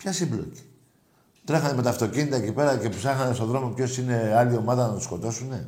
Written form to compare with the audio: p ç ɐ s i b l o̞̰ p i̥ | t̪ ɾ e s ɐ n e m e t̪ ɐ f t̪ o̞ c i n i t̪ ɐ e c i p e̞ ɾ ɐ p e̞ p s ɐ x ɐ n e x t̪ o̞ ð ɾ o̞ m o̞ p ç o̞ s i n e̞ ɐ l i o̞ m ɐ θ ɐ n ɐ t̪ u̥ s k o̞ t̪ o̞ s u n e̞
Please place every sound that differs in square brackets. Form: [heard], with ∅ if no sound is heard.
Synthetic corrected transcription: p ç ɐ s i b l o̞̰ [c] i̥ | t̪ ɾ e [x] ɐ n e m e t̪ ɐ f t̪ o̞ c i n i t̪ ɐ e c i p e̞ ɾ ɐ [c] e̞ p s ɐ x ɐ n e [s] t̪ o̞ ð ɾ o̞ m o̞ p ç o̞ s i n e̞ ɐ l i o̞ m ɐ [ð] ɐ n ɐ t̪ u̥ s k o̞ t̪ o̞ s u n e̞